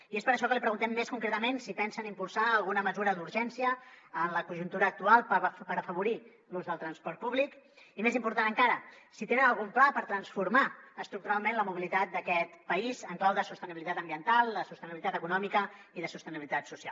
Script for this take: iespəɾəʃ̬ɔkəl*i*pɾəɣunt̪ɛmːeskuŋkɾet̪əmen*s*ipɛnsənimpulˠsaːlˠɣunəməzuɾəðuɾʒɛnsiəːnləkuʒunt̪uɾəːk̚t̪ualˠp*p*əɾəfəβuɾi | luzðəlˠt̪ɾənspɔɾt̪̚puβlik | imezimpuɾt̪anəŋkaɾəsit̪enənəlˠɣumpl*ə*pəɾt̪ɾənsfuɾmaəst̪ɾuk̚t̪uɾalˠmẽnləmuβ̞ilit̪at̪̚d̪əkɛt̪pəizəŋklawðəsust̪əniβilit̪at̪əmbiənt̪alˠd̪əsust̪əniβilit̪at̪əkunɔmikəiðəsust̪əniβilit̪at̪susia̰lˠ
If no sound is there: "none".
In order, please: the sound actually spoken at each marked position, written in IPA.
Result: i, s, p, a

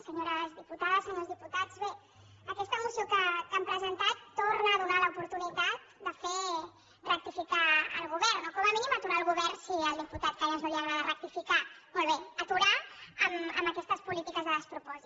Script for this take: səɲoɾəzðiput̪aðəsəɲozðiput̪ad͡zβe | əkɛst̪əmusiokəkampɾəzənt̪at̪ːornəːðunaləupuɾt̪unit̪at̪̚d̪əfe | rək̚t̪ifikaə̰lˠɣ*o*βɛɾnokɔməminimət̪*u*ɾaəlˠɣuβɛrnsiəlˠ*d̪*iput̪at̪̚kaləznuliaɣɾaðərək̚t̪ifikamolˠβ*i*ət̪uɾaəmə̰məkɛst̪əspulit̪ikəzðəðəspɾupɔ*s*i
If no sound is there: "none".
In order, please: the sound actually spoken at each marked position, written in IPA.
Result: u, u, d̪, e, z

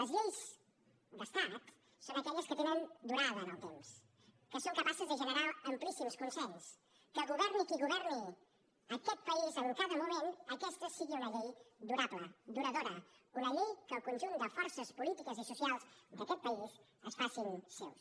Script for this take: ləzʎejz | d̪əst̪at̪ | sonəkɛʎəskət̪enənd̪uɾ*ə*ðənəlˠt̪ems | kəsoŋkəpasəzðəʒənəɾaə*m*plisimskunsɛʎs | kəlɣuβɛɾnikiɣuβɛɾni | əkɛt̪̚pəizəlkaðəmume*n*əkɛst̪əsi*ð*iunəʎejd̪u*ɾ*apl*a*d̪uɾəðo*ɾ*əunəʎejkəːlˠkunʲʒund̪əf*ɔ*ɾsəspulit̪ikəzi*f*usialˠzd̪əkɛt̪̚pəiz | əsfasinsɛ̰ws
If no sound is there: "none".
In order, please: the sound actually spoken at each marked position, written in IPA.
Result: a, m, n, ɣ, ɾ, ə, ɾ, ɔ, s

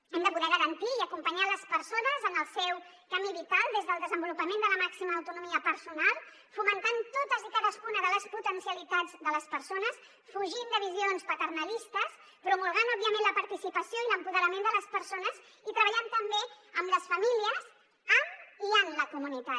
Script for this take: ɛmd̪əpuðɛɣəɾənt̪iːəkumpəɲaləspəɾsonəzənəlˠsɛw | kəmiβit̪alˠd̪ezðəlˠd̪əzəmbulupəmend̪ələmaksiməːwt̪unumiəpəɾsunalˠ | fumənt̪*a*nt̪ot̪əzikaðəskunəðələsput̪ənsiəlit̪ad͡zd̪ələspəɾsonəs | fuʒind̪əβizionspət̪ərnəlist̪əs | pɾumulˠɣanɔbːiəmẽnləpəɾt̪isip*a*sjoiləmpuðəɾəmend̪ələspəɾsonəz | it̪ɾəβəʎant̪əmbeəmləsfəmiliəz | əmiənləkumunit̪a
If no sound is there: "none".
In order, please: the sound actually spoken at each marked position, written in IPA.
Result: a, ə

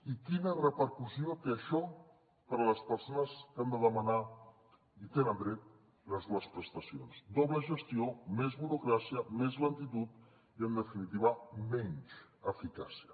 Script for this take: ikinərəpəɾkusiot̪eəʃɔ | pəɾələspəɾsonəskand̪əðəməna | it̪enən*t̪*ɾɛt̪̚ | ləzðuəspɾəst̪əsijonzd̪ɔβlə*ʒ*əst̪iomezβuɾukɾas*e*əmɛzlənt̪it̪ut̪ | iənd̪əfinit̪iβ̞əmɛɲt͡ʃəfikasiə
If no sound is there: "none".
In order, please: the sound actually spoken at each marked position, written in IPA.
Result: d̪, ʒ, i

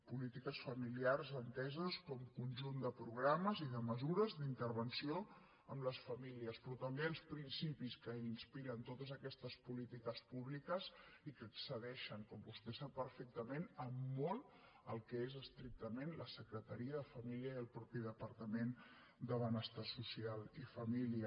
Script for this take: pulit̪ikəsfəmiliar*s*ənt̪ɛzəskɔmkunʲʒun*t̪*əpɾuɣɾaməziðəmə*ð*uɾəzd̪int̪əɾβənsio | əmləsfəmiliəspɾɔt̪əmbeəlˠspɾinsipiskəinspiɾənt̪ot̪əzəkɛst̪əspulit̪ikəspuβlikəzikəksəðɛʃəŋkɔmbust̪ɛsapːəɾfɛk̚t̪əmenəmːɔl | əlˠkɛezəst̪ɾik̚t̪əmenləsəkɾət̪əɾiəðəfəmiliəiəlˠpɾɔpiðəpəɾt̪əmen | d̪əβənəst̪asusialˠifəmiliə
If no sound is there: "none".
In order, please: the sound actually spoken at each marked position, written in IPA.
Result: z, d̪, z

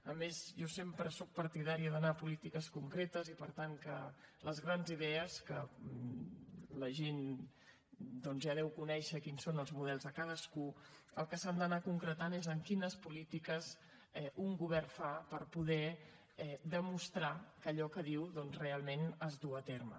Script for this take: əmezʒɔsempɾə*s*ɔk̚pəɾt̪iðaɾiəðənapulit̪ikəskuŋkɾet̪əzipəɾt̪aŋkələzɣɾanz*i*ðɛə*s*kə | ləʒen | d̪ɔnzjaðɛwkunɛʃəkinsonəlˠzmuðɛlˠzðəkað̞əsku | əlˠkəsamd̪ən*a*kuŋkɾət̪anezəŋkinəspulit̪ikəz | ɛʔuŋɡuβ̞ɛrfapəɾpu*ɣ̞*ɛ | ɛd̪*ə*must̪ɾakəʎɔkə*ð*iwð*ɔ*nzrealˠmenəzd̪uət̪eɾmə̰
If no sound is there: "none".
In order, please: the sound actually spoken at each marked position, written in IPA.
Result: s, i, s, a, ð̞, ə, ð, ɔ

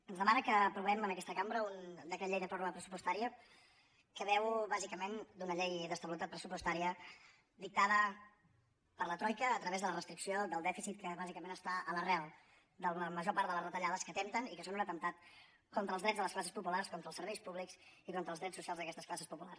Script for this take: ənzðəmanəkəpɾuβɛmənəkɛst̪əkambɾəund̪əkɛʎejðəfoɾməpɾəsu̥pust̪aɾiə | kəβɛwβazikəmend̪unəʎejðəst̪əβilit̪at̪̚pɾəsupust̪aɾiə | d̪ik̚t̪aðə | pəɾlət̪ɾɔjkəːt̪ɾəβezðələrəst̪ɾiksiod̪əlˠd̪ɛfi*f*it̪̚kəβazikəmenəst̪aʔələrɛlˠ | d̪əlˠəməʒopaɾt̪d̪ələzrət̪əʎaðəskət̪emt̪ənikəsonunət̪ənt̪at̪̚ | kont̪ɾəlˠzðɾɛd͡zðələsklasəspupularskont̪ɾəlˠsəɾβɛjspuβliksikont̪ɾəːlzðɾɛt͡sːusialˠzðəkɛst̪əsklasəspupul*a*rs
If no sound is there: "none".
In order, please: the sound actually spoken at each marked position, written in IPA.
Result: s, a

